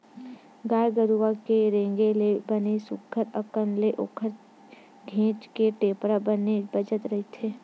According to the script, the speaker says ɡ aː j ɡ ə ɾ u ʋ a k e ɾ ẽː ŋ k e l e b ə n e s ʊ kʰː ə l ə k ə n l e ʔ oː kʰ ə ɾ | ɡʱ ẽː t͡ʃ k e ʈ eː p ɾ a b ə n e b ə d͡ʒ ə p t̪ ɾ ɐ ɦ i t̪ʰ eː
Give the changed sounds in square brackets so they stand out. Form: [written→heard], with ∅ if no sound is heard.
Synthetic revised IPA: ɡ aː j ɡ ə ɾ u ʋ a k e ɾ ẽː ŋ [k→ɡ] e l e b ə n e s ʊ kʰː ə [l→ɾ] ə k ə n l e ʔ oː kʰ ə ɾ | ɡʱ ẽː t͡ʃ k e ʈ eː p ɾ a b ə n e b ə d͡ʒ ə [p→∅] t̪ ɾ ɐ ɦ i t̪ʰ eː

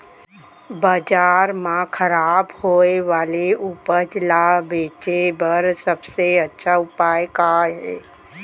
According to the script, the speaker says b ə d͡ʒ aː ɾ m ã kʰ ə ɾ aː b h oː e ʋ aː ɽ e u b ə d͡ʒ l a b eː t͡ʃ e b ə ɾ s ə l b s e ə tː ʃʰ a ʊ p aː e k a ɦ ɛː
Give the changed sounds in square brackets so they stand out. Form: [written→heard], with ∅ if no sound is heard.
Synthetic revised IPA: b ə d͡ʒ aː ɾ m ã kʰ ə ɾ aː b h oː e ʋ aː [ɽ→l] e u [b→p] ə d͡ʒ l a b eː t͡ʃ e b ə ɾ s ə [l→∅] b s e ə tː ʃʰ a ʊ p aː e k a ɦ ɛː

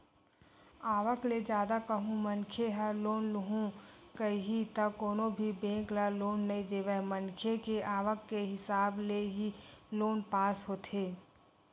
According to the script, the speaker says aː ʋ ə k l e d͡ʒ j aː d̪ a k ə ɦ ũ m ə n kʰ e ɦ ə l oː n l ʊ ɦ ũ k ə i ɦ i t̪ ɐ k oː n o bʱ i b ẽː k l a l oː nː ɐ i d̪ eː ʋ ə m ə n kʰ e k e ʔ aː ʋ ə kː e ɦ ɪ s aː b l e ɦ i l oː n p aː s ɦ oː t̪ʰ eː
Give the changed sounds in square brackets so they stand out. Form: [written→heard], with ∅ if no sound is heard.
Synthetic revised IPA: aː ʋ ə k l e d͡ʒ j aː d̪ a k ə ɦ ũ m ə n kʰ e ɦ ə l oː n l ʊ ɦ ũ k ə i ɦ i t̪ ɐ k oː n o bʱ i b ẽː k l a l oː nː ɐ i d̪ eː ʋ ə m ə n kʰ e k e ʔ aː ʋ ə kː e ɦ ɪ s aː b l e ɦ i l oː n p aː s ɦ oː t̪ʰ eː

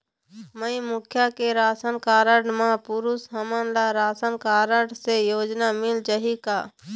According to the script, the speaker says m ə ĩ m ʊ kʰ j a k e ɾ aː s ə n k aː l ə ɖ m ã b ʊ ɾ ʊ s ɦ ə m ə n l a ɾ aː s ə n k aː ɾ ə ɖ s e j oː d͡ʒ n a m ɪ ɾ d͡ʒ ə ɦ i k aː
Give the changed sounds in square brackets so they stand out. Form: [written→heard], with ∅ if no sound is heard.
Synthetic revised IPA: m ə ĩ m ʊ kʰ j a k e ɾ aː s ə n k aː [l→ɾ] ə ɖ m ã [b→p] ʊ ɾ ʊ s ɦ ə m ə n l a ɾ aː s ə n k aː ɾ ə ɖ s e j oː d͡ʒ n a m ɪ [ɾ→l] d͡ʒ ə ɦ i k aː

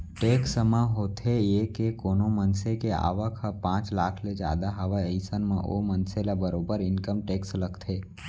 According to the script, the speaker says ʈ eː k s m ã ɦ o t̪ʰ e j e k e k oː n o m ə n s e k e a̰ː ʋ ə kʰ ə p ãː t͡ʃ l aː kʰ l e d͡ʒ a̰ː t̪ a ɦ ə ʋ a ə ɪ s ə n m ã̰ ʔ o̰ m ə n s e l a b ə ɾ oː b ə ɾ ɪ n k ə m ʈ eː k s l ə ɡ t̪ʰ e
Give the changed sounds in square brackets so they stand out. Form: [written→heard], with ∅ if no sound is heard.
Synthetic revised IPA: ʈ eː k s m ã ɦ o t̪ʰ e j e k e k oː n o m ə n s e k e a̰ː ʋ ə kʰ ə p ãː t͡ʃ l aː kʰ l e d͡ʒ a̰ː [t̪→d̪] a ɦ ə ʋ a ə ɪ s ə n m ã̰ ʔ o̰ m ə n s e l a b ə ɾ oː b ə ɾ ɪ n k ə m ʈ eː k s l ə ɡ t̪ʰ e

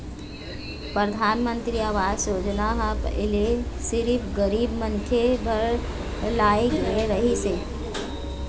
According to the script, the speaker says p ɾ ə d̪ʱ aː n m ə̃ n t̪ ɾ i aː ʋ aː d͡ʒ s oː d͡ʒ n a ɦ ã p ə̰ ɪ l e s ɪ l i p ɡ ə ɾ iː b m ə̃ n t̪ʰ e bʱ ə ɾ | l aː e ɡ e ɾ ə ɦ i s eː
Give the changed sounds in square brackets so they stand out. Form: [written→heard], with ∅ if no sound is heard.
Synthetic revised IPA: p ɾ ə d̪ʱ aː n m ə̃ n t̪ ɾ i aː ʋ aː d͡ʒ s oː d͡ʒ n a ɦ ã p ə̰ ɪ l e s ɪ [l→ɾ] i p ɡ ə ɾ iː b m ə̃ n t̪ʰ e bʱ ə ɾ | l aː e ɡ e ɾ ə ɦ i s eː

